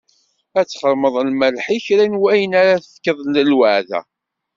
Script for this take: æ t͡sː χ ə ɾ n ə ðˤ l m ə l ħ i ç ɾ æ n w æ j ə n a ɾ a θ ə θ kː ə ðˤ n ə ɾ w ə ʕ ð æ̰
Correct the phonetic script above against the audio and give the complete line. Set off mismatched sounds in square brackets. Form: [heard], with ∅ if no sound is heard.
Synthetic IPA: æ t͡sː χ ə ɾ [m] ə ðˤ l m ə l ħ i ç ɾ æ n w æ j ə n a ɾ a θ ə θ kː ə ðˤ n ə [l] w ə ʕ ð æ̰